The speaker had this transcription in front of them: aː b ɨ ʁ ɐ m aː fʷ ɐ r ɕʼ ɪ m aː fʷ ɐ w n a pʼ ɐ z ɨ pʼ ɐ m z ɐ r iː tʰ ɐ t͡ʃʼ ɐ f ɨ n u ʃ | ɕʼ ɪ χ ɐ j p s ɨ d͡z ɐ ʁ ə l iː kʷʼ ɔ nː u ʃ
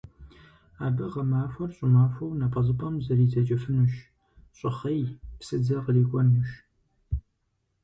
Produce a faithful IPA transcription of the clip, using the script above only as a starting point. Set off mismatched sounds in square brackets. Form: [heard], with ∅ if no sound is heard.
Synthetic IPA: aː b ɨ ʁ ɐ m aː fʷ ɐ r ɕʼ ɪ m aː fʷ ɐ w n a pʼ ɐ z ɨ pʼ ɐ m z ɐ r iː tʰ ɐ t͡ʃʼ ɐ f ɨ n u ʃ | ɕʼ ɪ χ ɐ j p s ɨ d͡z ɐ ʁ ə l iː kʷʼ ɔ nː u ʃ